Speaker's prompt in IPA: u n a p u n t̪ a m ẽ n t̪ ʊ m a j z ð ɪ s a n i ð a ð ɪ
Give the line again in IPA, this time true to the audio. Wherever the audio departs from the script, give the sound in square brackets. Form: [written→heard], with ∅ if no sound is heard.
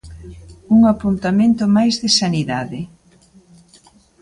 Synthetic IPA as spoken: u [n→ŋ] a p u n t̪ a m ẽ n t̪ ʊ m a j z ð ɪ s a n i ð a ð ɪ